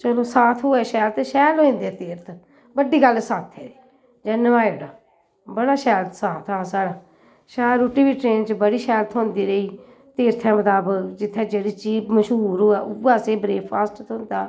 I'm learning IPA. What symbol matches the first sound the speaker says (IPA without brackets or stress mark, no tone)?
t͡ʃ